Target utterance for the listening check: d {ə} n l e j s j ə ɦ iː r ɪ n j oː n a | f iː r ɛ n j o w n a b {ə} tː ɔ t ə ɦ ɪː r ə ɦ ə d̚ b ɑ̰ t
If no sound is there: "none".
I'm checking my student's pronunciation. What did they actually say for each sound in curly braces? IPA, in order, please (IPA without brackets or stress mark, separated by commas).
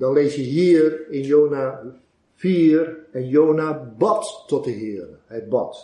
ɑ, ɑ